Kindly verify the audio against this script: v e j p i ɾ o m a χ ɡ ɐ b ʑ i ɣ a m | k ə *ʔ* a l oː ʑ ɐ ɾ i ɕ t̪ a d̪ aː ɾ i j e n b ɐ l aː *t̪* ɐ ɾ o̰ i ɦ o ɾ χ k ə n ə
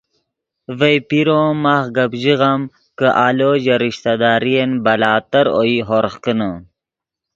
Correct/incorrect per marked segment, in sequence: correct, correct

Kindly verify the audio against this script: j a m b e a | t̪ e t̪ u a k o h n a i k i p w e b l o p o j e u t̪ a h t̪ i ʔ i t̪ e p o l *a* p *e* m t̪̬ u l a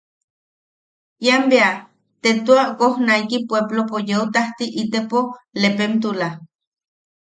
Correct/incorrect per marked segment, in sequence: incorrect, correct

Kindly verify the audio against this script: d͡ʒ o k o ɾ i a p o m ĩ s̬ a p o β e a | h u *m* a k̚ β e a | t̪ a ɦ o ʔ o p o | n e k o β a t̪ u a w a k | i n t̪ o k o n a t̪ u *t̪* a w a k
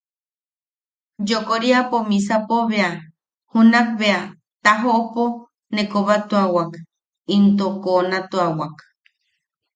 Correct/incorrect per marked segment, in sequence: incorrect, incorrect

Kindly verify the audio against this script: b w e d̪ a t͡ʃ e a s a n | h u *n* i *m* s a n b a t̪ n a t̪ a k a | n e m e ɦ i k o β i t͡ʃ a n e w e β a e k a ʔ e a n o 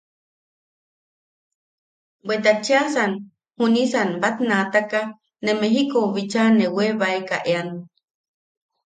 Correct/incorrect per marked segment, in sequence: correct, incorrect

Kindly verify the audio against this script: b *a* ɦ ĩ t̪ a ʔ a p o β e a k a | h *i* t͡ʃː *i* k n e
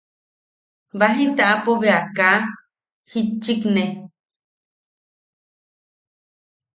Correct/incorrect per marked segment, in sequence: correct, correct, correct

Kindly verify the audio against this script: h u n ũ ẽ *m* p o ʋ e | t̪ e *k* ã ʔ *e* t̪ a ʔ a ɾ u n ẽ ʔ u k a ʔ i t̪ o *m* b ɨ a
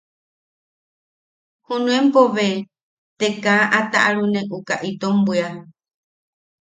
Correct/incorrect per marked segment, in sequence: correct, correct, incorrect, correct

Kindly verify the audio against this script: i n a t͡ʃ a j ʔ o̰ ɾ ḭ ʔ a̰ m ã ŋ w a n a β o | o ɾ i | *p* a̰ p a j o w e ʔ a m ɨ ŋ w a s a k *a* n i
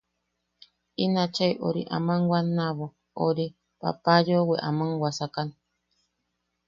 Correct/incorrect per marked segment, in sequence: correct, correct

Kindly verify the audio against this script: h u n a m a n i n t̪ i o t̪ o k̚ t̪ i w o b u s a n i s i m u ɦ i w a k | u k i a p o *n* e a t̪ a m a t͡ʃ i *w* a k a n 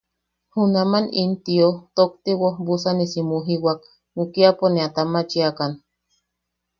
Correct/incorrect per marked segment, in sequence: correct, incorrect

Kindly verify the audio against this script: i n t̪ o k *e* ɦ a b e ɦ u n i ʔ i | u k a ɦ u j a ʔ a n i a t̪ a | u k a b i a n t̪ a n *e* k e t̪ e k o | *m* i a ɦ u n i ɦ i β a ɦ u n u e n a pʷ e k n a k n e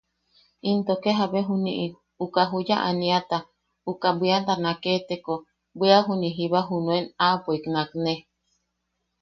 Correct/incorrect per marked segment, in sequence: correct, incorrect, incorrect

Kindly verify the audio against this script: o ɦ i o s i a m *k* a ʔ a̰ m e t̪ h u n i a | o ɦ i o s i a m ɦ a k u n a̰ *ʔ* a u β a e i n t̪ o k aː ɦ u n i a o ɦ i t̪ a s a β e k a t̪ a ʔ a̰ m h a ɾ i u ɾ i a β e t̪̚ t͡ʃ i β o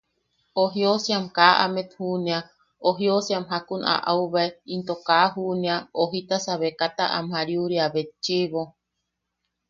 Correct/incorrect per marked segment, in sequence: correct, correct

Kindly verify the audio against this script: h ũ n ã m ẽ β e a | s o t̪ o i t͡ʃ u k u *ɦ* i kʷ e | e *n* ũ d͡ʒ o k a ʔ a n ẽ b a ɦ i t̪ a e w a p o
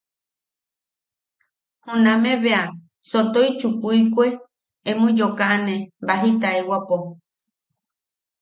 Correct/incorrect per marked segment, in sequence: incorrect, incorrect

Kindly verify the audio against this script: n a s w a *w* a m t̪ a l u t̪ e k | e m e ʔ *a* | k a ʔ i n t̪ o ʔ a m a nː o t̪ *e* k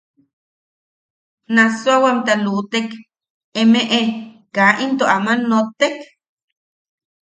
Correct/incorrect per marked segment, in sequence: correct, incorrect, correct

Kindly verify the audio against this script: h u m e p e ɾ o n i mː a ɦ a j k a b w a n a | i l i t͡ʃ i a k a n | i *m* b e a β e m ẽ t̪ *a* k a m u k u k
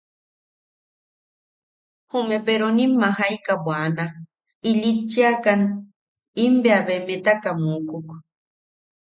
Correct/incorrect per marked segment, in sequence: correct, correct

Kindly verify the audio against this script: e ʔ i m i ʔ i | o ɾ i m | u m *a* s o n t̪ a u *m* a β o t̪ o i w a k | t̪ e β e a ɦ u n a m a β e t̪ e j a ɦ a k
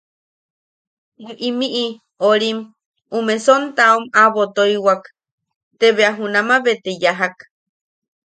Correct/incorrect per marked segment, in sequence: incorrect, correct

